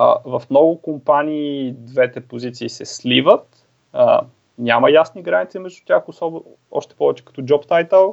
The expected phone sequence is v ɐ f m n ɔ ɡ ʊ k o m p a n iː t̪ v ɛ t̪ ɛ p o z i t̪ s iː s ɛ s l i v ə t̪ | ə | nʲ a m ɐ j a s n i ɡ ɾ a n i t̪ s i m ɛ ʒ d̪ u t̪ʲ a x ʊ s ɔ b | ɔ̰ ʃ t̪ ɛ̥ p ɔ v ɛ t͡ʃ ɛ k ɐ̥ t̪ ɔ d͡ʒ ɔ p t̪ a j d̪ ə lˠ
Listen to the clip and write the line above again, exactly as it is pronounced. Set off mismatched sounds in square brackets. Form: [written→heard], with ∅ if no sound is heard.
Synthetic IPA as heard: v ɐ f m n ɔ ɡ ʊ k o m p a n iː [t̪→d̪] v ɛ t̪ ɛ p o z i t̪ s iː s ɛ s l i v ə t̪ | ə | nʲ a m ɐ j a s n i ɡ ɾ a n i t̪ s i m ɛ ʒ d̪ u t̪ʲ a x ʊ s ɔ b | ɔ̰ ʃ t̪ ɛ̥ p ɔ v ɛ t͡ʃ ɛ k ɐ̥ t̪ ɔ d͡ʒ ɔ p t̪ a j [d̪→t̪] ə lˠ